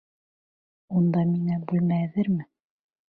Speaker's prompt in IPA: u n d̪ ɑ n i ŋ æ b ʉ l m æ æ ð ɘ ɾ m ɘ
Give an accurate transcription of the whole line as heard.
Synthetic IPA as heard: u n d̪ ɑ m i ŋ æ b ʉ l m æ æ ð ɘ ɾ m ɘ